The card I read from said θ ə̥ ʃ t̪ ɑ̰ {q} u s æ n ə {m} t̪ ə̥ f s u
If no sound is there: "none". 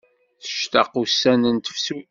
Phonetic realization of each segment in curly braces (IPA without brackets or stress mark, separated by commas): q, n